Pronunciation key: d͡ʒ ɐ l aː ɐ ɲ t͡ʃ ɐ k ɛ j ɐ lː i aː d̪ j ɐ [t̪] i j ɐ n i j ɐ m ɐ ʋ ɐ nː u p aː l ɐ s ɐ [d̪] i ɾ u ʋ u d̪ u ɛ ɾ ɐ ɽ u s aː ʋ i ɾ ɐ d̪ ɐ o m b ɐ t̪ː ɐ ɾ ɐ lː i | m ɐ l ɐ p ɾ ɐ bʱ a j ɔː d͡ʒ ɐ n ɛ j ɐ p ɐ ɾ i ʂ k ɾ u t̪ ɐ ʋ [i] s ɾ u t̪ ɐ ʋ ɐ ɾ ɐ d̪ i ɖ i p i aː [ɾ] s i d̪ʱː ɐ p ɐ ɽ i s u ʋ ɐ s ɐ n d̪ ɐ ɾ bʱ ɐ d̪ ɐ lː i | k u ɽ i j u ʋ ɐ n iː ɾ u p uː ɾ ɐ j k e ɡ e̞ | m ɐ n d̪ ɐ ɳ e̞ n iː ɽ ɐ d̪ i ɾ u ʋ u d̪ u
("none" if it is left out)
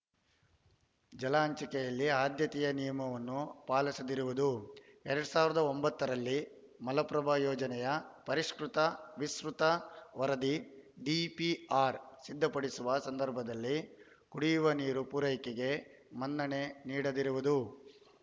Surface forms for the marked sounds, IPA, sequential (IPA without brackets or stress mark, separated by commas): t̪, d̪, i, ɾ